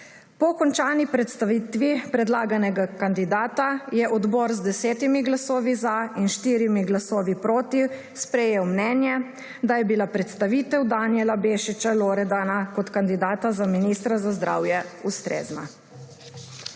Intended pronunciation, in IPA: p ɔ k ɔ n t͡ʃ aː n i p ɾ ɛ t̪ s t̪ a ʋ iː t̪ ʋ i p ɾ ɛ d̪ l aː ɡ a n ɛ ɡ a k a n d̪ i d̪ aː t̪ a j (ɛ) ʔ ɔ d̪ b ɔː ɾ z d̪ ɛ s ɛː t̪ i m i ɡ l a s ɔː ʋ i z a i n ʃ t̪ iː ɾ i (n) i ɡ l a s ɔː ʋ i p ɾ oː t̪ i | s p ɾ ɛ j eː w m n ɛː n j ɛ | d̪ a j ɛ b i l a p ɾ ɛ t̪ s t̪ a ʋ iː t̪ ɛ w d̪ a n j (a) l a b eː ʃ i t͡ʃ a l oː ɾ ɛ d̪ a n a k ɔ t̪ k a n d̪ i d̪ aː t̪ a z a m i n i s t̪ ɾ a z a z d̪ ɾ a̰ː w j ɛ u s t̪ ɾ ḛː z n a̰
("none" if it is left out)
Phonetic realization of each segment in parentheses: ɛ, m, ɛ

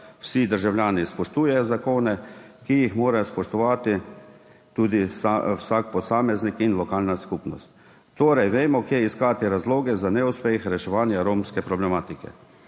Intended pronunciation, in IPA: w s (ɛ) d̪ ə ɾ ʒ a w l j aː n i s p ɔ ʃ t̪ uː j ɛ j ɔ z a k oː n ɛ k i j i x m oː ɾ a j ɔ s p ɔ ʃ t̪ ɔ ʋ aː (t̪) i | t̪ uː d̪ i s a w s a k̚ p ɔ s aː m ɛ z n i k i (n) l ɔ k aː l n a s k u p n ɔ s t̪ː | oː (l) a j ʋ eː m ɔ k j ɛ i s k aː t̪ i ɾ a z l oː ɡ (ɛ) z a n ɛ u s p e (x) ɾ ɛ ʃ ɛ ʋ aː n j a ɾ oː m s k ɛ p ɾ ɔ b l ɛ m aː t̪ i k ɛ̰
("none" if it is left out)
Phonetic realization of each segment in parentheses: i, t̪, n, ɾ, ɛ, x

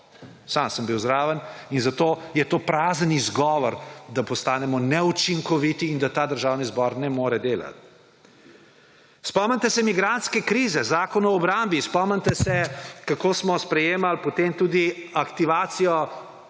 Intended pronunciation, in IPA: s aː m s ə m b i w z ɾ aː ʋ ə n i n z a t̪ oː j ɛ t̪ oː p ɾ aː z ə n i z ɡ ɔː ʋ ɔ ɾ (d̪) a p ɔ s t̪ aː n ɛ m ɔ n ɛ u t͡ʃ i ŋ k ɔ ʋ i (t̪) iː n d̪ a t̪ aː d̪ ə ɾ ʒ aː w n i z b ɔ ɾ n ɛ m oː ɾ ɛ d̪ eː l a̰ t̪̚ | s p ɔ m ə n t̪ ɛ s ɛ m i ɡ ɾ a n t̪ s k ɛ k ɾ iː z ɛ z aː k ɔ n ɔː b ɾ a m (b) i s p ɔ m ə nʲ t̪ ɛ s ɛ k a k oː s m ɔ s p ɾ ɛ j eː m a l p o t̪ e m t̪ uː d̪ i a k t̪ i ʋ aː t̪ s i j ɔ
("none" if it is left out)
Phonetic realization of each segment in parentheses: d̪, t̪, b

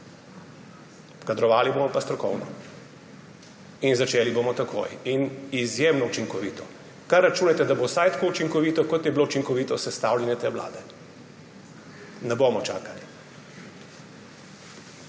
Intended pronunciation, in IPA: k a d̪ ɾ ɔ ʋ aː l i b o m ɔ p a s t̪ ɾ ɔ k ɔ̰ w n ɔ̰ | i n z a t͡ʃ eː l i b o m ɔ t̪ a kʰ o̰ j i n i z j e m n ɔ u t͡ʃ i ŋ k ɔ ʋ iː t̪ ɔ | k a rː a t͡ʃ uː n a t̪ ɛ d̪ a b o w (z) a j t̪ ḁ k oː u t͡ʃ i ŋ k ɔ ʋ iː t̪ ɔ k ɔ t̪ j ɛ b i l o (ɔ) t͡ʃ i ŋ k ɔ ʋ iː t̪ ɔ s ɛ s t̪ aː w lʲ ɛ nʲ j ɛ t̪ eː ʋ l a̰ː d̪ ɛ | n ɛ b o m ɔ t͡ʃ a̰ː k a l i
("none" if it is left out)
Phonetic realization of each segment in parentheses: s, u

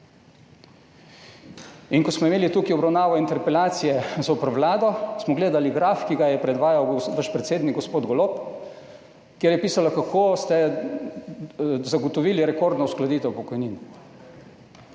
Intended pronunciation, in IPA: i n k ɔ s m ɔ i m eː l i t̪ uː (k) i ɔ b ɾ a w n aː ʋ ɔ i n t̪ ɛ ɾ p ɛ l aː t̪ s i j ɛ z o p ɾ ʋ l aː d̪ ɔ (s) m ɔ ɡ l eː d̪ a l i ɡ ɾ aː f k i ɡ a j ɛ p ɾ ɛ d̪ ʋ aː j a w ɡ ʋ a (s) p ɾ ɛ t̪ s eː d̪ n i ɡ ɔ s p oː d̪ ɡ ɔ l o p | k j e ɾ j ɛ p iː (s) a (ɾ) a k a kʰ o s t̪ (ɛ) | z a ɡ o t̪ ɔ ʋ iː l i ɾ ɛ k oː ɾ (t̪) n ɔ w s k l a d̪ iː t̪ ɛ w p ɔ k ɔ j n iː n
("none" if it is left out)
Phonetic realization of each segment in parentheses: k, s, ʃ, s, l, ɛ, d̪

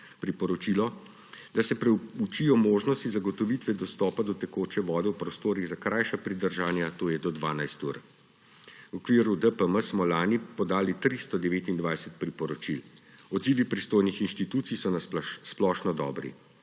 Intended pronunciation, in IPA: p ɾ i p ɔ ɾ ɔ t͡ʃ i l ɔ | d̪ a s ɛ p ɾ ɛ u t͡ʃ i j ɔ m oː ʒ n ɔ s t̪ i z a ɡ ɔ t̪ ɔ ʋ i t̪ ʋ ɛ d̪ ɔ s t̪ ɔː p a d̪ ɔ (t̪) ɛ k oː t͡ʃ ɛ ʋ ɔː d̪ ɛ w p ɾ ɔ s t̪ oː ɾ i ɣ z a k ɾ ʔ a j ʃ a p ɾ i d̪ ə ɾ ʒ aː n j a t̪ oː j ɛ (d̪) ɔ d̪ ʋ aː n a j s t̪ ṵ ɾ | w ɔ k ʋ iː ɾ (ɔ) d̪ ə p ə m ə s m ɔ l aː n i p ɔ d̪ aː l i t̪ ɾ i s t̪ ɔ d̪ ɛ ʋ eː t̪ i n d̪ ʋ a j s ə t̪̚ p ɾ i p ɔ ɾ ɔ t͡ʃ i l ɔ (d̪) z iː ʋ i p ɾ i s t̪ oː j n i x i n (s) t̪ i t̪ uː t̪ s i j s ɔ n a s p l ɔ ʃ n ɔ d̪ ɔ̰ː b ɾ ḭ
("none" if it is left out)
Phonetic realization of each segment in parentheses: t̪, d̪, u, d̪, ʃ

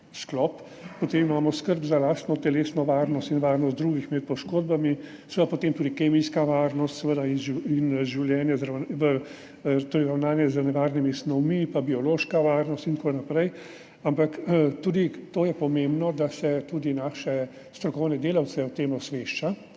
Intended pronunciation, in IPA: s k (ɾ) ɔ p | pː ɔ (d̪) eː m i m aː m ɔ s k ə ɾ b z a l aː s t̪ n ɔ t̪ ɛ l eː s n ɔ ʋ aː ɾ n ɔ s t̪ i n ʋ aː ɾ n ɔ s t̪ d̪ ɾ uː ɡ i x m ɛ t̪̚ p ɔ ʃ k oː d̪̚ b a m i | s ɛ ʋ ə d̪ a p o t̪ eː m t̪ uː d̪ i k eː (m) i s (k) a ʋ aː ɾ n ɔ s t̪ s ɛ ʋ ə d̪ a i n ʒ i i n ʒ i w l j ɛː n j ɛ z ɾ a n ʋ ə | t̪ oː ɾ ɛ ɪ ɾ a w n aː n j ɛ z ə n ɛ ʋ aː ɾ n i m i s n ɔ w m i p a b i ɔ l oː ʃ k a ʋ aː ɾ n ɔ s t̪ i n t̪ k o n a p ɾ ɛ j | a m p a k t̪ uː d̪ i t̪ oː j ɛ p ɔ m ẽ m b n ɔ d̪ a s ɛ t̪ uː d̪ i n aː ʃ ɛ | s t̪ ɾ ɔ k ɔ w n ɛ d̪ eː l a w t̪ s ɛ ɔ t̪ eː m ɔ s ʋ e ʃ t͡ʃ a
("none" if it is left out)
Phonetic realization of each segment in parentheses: l, t̪, m, k

